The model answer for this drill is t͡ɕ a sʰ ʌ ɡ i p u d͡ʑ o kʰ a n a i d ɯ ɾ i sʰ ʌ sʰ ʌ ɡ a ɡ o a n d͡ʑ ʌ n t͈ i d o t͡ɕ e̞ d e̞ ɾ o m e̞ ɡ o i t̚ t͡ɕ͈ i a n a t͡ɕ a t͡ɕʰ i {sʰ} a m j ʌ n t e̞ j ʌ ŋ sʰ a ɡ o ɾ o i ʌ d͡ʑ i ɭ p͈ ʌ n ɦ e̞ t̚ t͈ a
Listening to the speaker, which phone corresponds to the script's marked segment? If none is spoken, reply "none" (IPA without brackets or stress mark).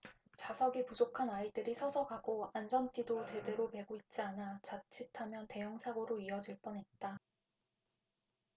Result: tʰ